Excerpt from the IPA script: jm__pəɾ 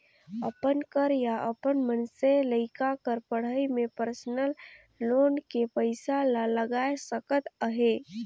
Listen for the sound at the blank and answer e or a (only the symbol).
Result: e